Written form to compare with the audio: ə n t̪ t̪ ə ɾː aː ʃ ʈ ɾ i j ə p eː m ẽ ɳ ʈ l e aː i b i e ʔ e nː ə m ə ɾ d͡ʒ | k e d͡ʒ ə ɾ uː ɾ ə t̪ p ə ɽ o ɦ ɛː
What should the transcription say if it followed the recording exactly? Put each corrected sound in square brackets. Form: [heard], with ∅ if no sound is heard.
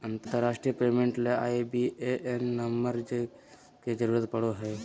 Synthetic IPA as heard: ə n t̪ t̪ ə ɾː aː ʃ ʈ ɾ i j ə p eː m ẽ ɳ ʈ l e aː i b i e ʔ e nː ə m ə ɾ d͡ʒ | k e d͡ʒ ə ɾ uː ɾ ə t̪ p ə ɽ o ɦ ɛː